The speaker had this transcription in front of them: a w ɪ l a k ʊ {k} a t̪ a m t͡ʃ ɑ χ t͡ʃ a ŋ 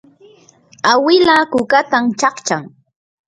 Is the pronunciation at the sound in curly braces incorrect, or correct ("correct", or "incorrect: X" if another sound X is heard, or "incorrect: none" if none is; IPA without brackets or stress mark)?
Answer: correct